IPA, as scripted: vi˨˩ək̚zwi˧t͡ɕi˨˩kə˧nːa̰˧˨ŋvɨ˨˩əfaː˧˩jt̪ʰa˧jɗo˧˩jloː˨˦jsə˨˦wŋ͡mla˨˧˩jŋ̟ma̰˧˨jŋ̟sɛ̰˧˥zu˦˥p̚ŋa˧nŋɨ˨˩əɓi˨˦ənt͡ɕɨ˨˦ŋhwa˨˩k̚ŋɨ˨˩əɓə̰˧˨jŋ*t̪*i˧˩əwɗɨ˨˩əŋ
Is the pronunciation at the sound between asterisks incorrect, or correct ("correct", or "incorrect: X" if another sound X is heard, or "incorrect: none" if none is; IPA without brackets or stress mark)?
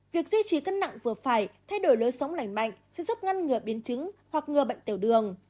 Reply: correct